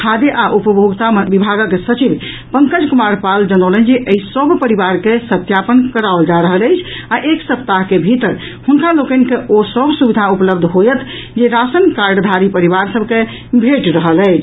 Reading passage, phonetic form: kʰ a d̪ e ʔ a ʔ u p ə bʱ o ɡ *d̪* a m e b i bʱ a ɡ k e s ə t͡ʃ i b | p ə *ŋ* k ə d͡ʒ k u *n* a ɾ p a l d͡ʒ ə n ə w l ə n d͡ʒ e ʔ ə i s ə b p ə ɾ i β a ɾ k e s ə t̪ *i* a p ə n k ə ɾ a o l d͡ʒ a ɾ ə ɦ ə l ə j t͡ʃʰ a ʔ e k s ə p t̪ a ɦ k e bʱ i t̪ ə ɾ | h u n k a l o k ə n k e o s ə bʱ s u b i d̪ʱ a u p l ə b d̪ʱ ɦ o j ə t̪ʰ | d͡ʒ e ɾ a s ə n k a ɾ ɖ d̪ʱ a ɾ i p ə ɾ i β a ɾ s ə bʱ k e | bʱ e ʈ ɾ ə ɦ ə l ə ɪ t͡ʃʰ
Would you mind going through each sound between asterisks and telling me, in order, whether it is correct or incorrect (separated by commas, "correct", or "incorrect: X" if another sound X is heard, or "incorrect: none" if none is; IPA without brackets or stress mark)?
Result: incorrect: t̪, correct, incorrect: m, incorrect: j